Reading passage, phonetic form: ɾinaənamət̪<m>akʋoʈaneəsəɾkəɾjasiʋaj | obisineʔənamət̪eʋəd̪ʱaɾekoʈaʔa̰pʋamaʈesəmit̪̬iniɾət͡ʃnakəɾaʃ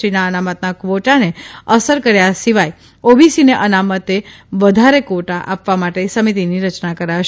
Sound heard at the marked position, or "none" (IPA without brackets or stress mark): n